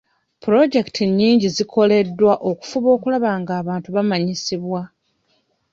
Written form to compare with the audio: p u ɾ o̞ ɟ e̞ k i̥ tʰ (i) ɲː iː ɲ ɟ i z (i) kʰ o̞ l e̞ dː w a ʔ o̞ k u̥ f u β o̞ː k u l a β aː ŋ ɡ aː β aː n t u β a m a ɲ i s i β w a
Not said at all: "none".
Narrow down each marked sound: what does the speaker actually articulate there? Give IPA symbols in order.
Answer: i, i

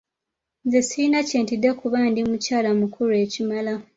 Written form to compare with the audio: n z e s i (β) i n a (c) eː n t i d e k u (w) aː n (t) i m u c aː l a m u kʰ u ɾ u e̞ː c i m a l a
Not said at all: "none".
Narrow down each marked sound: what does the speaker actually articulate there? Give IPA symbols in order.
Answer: none, c, β, d

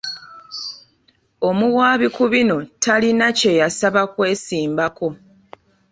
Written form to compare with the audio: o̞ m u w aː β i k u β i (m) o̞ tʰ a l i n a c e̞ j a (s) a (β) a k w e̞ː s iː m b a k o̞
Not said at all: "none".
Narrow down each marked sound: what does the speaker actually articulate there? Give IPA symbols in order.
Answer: n, s, β

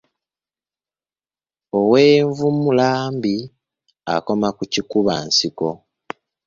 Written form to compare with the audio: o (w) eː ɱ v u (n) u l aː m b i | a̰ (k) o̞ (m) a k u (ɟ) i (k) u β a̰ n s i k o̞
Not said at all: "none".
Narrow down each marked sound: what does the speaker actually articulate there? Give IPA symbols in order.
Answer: w, m, k, m, c, k

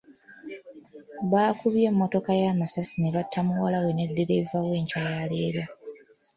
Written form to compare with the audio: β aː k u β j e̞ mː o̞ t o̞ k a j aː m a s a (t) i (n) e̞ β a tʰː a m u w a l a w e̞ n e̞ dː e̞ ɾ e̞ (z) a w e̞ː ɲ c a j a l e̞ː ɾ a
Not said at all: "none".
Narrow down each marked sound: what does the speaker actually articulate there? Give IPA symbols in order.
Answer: s, n, v

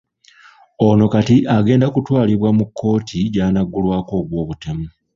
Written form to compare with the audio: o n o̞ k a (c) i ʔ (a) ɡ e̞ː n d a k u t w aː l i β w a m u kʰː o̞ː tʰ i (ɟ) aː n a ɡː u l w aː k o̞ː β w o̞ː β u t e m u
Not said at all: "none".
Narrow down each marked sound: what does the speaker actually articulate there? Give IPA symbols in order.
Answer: t, a, ɟ

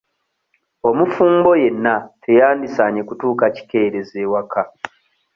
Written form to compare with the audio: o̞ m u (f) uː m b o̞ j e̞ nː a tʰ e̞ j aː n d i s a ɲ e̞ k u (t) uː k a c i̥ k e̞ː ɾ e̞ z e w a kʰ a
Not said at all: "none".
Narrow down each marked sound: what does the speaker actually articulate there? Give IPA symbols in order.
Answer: f, t

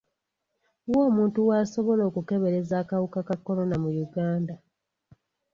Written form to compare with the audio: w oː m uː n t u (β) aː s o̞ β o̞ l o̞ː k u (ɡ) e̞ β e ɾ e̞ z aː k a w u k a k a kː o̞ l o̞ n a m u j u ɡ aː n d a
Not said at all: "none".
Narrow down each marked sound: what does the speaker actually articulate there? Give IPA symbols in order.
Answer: w, k

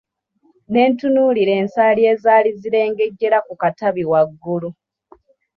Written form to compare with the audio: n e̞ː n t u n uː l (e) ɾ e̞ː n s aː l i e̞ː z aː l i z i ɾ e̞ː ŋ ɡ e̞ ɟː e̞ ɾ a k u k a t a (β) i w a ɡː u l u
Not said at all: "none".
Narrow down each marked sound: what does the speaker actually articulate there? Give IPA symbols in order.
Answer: i, β

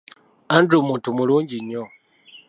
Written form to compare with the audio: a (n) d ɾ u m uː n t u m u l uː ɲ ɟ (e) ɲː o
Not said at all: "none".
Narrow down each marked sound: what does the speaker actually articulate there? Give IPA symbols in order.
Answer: n, i

